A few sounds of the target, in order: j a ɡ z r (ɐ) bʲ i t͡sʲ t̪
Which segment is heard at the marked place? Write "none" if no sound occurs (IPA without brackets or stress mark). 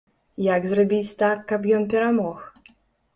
a